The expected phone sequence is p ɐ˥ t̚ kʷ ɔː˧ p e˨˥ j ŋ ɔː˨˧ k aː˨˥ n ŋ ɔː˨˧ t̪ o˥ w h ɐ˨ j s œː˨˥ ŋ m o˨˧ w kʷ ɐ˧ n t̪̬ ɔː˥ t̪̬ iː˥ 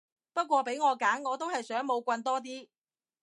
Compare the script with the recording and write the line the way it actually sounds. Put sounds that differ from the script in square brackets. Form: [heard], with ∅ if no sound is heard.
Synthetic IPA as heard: p ɐ˥ t̚ kʷ ɔː˧ p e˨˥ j ŋ ɔː˨˧ k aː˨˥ n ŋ ɔː˨˧ t̪ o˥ w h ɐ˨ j s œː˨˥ ŋ m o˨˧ w kʷ ɐ˧ n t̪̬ ɔː˥ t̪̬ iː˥